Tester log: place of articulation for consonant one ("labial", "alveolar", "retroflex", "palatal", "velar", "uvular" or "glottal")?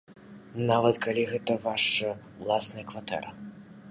alveolar